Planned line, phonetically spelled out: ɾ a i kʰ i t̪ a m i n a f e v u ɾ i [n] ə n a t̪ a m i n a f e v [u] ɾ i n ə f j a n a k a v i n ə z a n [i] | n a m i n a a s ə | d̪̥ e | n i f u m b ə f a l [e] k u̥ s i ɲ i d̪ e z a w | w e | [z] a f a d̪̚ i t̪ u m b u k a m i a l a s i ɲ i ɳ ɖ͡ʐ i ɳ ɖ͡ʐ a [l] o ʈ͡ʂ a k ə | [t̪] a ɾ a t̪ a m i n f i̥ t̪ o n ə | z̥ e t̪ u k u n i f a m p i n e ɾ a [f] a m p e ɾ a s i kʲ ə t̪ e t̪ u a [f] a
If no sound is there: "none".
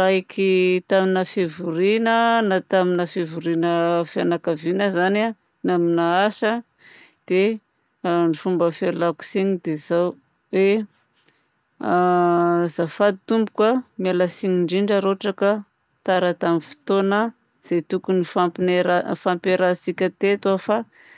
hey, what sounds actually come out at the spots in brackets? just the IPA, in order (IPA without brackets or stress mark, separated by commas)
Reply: n, u, a, a, z, ɾ, t̪, f, f